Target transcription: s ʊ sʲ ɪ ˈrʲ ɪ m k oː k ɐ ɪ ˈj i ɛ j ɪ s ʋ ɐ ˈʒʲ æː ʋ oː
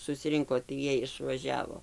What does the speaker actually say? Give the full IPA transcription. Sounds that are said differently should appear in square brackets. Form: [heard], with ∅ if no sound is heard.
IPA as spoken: s ʊ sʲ ɪ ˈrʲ ɪ [ŋ] k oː [t] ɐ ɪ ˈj i ɛ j ɪ [ʃ] ʋ ɐ ˈʒʲ æː ʋ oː